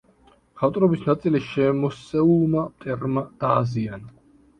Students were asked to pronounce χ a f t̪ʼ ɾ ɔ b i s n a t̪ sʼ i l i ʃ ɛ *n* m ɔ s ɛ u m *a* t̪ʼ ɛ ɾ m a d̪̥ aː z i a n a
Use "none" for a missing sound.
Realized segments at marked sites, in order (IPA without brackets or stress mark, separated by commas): none, a